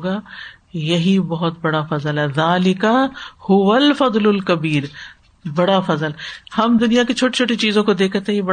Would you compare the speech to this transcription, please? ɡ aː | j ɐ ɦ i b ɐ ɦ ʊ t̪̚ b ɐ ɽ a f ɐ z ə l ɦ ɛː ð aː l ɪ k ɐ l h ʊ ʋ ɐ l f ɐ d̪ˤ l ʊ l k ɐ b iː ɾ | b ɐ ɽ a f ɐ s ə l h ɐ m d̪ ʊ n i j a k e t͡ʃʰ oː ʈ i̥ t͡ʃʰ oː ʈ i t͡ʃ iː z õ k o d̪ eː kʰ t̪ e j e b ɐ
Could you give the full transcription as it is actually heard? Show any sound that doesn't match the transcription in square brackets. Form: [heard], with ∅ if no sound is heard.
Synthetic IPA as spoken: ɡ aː | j ɐ ɦ i b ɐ ɦ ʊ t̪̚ b ɐ ɽ a f ɐ z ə l ɦ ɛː ð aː l ɪ k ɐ [∅] h ʊ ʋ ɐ l f ɐ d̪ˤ l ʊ l k ɐ b iː ɾ | b ɐ ɽ a f ɐ [z] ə l h ɐ m d̪ ʊ n i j a k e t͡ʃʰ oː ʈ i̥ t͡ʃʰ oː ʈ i t͡ʃ iː z õ k o d̪ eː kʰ t̪ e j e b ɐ